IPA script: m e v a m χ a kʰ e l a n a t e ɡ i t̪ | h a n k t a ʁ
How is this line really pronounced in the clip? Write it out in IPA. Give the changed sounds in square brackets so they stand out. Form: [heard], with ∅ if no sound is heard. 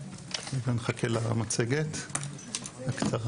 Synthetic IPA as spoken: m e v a [n] χ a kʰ e l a [m] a [t͡s] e ɡ [e] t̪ | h a [∅] k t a ʁ